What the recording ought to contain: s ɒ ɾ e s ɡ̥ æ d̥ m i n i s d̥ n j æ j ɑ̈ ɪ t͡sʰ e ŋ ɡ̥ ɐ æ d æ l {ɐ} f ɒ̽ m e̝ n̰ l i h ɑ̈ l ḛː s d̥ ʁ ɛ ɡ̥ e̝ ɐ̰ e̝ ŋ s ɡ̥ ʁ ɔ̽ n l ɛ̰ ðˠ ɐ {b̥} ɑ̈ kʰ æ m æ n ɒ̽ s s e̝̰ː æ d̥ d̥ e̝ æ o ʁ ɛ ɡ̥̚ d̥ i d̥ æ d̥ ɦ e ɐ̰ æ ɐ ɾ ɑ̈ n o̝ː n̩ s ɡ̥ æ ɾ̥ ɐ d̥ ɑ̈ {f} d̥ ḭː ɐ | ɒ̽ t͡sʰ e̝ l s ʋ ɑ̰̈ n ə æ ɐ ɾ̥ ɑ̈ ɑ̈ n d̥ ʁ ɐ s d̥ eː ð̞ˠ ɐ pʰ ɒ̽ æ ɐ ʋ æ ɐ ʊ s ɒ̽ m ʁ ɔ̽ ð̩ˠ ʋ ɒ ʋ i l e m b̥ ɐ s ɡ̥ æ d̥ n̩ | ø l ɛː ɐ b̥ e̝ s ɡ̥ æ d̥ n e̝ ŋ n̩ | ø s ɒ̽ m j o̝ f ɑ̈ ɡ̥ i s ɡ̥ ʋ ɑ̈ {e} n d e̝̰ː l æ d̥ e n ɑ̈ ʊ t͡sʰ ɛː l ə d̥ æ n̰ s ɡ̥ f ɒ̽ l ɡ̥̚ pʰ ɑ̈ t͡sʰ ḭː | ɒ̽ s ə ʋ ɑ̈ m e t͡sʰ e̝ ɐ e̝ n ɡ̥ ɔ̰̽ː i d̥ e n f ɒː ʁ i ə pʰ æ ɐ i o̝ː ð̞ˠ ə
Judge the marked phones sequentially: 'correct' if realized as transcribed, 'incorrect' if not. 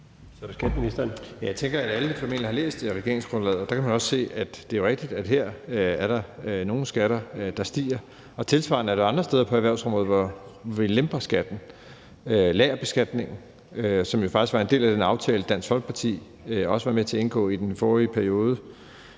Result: incorrect, incorrect, incorrect, correct

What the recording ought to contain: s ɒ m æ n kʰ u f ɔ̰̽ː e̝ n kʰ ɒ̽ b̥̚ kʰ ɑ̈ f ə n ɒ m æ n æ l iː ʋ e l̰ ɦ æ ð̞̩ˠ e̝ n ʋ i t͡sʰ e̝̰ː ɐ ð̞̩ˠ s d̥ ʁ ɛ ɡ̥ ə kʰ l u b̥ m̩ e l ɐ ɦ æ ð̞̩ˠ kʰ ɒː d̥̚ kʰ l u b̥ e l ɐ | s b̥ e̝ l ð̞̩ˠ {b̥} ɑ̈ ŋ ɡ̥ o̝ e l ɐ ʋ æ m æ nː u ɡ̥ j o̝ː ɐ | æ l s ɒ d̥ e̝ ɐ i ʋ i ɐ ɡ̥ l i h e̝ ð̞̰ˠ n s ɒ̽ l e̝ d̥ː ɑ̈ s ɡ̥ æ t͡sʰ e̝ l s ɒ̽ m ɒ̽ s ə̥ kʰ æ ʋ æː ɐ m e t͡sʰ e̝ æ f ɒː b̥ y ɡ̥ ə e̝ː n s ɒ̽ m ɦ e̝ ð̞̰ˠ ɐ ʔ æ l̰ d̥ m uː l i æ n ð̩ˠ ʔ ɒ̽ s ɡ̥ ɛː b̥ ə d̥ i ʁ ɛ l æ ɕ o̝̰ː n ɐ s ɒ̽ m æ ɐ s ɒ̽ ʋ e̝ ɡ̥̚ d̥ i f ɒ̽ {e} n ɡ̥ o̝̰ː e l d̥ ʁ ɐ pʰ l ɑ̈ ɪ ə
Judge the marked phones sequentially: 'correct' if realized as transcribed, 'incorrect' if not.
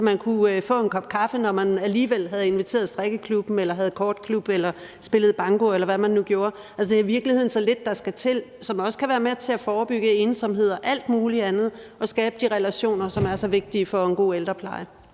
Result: correct, correct

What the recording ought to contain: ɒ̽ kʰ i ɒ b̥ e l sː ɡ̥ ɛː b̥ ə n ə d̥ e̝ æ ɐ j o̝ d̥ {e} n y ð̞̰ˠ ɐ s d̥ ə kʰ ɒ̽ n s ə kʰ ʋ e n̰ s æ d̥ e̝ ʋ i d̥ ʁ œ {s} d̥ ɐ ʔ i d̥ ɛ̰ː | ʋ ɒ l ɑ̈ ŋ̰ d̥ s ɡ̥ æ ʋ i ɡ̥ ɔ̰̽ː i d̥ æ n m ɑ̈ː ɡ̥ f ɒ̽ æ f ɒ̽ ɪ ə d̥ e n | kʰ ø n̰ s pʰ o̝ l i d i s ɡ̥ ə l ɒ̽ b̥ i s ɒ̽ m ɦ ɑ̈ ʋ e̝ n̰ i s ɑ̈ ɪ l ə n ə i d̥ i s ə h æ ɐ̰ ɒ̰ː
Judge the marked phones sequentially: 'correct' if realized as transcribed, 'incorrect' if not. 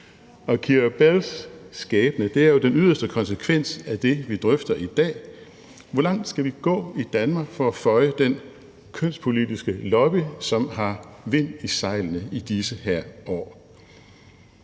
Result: correct, incorrect

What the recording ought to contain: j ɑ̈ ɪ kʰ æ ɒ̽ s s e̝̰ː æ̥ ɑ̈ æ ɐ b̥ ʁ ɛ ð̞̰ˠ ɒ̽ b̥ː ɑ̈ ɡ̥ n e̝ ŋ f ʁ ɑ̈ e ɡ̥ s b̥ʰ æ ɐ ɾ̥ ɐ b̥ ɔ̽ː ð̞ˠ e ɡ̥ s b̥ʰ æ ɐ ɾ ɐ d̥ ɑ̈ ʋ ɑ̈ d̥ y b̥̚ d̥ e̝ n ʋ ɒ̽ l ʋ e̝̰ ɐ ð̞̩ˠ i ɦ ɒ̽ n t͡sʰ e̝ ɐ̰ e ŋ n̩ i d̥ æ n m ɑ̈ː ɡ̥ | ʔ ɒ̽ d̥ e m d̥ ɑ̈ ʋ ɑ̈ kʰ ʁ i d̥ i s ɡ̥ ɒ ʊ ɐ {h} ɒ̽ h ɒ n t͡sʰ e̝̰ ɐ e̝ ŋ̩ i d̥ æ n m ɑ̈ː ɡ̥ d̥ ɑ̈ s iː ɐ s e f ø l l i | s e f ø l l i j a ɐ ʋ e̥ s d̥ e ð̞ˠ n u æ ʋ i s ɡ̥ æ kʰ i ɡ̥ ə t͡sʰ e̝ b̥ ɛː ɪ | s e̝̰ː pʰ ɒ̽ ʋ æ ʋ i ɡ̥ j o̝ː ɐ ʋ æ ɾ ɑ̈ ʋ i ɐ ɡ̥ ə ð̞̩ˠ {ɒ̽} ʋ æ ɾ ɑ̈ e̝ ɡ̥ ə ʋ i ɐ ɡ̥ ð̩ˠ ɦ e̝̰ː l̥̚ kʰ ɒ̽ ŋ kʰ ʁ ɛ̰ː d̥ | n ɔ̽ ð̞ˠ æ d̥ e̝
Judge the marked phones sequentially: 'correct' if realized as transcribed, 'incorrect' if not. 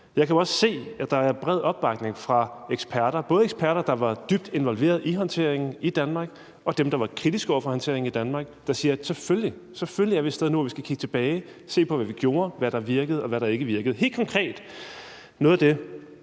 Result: incorrect, correct

